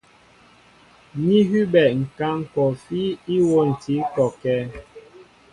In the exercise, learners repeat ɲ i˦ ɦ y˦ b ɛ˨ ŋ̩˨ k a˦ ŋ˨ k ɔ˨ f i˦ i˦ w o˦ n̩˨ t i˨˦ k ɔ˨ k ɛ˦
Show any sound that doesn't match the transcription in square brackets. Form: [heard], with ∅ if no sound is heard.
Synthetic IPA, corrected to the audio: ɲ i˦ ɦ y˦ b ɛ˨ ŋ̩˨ k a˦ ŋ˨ k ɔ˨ f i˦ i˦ w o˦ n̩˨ t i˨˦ k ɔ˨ k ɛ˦